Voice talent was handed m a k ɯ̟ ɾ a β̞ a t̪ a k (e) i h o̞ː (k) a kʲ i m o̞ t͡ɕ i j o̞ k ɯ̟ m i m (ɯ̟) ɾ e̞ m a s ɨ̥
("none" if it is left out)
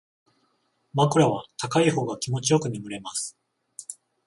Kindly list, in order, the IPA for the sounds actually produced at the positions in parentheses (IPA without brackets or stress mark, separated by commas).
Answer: a, ɡ, ɯ̟